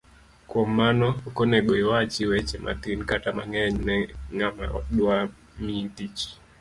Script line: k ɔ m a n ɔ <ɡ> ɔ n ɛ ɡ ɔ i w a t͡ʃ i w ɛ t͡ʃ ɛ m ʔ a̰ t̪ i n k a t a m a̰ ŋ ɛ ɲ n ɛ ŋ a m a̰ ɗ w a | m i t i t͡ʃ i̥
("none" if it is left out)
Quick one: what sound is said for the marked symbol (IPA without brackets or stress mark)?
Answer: k